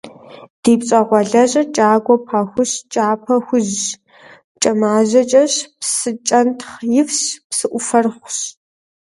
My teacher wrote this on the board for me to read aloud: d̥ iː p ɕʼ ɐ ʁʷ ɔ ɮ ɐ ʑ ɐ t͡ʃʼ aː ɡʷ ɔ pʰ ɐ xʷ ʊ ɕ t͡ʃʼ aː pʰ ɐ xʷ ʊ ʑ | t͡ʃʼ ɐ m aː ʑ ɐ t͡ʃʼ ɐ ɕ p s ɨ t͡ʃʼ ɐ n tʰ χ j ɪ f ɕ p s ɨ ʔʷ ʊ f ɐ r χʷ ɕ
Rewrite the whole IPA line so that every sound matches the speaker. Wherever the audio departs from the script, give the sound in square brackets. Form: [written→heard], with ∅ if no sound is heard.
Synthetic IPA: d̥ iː p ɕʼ ɐ ʁʷ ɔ ɮ ɐ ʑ ɐ t͡ʃʼ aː ɡʷ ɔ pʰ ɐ xʷ ʊ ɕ t͡ʃʼ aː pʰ ɐ xʷ ʊ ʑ | t͡ʃʼ ɐ m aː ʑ ɐ t͡ʃʼ ɐ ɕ p s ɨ t͡ʃʼ ɐ n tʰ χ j ɪ f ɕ p s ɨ ʔʷ ʊ f ɐ r χʷ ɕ

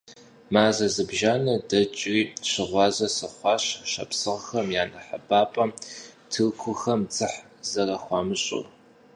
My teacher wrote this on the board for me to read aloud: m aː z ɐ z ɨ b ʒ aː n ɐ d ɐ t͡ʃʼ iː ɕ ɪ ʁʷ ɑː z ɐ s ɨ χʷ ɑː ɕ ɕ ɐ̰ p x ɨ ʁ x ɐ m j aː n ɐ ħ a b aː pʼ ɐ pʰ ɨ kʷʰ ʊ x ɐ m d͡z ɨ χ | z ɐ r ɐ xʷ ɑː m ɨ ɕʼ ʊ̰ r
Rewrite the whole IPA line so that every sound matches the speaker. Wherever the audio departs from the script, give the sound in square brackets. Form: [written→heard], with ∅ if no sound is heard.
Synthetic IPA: m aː z ɐ z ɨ b ʒ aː n ɐ d ɐ t͡ʃʼ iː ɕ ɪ ʁʷ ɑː z ɐ s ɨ χʷ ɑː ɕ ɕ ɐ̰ p [x→s] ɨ ʁ x ɐ m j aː n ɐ ħ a b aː pʼ ɐ [pʰ→tʰ] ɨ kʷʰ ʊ x ɐ m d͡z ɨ [χ→ħ] | z ɐ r ɐ xʷ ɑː m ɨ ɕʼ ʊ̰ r

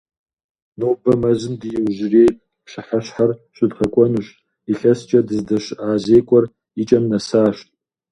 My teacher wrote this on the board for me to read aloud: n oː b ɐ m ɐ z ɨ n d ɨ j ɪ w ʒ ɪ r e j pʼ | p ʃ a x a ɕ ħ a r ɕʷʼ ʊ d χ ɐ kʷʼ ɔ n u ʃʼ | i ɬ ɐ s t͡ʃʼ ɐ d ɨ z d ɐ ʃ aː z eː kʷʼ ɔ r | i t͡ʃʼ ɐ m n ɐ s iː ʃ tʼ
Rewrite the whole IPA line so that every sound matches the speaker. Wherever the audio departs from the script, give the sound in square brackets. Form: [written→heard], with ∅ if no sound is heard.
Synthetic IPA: n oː b ɐ m ɐ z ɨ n d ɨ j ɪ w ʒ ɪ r e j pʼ | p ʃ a [x→ħ] a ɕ ħ a r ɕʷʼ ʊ d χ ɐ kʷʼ ɔ n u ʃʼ | i ɬ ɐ s t͡ʃʼ ɐ d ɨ z d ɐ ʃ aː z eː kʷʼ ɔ r | i t͡ʃʼ ɐ m n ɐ s [iː→aː] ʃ tʼ

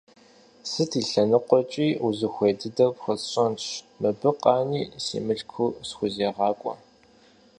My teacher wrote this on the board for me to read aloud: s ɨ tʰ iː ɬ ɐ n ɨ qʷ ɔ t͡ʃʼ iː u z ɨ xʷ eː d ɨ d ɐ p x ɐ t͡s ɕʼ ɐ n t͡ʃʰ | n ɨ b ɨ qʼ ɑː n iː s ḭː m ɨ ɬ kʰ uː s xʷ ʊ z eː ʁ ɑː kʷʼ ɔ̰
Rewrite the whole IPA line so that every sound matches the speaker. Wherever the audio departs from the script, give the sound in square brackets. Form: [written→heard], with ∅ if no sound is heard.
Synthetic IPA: s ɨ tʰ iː ɬ ɐ n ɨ qʷ ɔ t͡ʃʼ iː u z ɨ xʷ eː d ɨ d ɐ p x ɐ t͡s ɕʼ ɐ n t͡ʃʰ | [n→m] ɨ b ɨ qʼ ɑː n iː s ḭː m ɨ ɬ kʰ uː s xʷ ʊ z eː ʁ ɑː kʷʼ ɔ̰

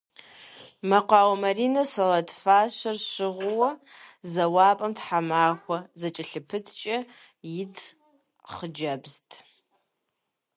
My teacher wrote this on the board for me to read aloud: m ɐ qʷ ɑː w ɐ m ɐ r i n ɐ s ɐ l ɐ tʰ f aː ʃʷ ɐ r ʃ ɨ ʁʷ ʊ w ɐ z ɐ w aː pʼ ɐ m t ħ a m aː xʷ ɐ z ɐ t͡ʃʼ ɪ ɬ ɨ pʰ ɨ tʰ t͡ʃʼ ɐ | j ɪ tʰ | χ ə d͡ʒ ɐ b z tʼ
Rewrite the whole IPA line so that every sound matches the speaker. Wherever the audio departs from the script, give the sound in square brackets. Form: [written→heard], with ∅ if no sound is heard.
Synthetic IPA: m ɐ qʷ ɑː w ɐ m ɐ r i n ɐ s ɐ l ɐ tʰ f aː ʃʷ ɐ r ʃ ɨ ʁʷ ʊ w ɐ z ɐ w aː pʼ ɐ m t ħ a m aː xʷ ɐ z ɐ t͡ʃʼ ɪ ɬ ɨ pʰ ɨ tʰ t͡ʃʼ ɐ | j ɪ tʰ | χ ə d͡ʒ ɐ b z tʼ

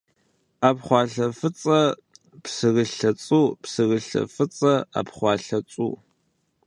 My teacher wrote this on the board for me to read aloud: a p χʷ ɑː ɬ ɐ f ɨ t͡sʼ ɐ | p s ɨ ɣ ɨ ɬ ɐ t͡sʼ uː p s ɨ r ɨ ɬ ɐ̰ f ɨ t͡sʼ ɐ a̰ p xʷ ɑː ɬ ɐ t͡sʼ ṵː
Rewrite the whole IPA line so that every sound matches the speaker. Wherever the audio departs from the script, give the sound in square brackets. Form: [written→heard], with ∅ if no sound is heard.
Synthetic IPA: a p χʷ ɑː ɬ ɐ f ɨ t͡sʼ ɐ | p s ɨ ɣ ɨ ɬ ɐ t͡sʼ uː p s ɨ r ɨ ɬ ɐ̰ f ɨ t͡sʼ ɐ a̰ p [xʷ→χʷ] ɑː ɬ ɐ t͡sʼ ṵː

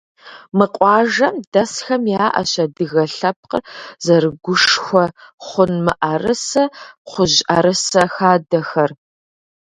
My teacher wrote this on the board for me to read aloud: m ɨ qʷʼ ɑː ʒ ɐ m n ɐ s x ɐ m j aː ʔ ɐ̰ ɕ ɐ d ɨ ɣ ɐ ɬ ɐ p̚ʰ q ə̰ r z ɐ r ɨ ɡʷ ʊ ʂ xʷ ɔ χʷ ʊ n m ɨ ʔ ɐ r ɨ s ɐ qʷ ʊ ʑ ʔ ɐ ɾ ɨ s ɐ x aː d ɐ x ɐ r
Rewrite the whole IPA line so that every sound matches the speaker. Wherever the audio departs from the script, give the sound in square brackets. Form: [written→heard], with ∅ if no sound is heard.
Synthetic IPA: m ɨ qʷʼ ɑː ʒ ɐ m [n→d] ɐ s x ɐ m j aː ʔ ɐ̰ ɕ ɐ d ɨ ɣ ɐ ɬ ɐ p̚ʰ q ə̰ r z ɐ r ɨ ɡʷ ʊ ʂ xʷ ɔ χʷ ʊ n m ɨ ʔ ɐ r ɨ s ɐ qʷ ʊ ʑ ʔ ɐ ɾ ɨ s ɐ x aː d ɐ x ɐ r

